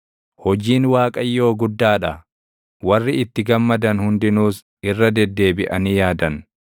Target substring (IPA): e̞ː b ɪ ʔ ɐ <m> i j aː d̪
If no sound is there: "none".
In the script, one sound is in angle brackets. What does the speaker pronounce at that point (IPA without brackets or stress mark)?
n